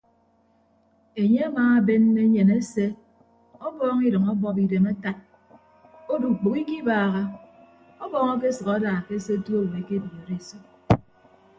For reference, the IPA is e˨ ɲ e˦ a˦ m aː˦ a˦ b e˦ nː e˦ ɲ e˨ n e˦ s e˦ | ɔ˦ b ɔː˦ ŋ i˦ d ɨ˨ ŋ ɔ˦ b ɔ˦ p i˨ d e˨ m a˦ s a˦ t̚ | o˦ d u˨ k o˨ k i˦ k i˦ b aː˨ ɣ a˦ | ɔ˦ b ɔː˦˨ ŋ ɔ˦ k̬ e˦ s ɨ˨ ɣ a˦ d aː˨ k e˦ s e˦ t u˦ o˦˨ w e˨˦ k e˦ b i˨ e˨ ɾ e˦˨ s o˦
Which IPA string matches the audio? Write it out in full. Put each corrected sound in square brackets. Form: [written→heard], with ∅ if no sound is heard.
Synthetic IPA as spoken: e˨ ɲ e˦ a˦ m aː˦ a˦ b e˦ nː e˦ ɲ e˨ n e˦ s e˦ | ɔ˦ b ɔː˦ ŋ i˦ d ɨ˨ ŋ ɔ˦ b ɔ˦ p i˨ d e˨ m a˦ [s→t] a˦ t̚ | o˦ d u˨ [k→k͡p] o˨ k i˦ k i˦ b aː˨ ɣ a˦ | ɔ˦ b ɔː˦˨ ŋ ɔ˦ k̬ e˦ s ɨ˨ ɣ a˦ d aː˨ k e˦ s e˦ t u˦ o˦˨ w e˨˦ k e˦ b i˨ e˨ ɾ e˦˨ s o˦